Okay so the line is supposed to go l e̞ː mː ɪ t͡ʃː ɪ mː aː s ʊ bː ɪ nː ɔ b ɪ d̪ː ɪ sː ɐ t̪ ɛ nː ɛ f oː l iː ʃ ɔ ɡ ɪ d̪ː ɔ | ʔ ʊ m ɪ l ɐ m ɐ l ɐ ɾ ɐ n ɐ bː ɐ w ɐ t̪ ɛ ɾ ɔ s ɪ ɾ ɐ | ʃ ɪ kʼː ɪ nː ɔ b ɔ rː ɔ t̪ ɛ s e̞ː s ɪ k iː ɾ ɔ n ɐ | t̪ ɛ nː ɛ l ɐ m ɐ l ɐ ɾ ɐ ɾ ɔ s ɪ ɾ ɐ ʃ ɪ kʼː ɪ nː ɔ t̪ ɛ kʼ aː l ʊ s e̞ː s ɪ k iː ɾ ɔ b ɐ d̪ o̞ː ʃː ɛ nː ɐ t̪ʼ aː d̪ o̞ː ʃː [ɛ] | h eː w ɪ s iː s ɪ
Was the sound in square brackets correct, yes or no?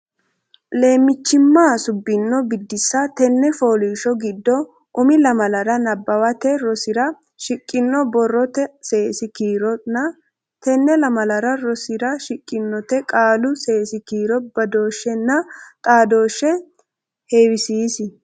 yes